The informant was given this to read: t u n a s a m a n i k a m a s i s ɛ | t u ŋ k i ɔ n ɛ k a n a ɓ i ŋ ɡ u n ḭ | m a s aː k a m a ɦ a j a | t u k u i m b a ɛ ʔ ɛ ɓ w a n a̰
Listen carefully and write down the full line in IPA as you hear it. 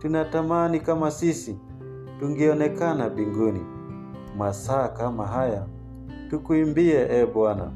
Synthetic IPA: t u n a t a m a n i k a m a s i s i | t u ŋ ɡ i ɔ n ɛ k a n a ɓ i ŋ ɡ u n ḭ | m a s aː k a m a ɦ a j a | t u k u i m b i ɛ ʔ ɛ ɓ w a n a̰